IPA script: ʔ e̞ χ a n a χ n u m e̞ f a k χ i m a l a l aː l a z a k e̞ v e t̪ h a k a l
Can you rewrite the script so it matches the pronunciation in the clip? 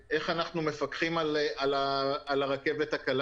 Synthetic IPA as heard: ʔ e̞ χ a n a χ n u m e̞ f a k χ i m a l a l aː l a ʁ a k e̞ v e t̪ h a k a l